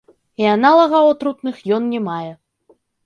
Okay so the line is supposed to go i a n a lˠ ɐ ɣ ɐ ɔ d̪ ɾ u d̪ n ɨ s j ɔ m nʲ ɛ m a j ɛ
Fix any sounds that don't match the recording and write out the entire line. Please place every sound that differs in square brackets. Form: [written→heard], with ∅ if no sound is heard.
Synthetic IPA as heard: i a n a lˠ ɐ ɣ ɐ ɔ [d̪→t̪] ɾ u [d̪→t̪] n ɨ [s→x] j ɔ [m→n] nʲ ɛ m a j ɛ